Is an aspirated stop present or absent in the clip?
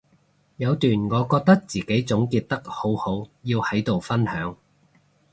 absent